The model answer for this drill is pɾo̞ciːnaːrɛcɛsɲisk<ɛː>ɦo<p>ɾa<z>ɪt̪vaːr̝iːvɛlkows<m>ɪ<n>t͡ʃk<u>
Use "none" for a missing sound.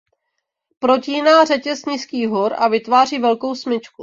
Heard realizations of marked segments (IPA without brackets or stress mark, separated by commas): iː, none, v, m, none, u